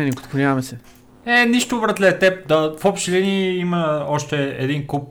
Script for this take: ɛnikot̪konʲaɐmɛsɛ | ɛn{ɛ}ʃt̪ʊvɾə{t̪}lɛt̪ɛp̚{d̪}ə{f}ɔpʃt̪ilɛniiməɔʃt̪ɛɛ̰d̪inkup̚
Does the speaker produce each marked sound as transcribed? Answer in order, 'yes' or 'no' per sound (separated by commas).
no, yes, yes, yes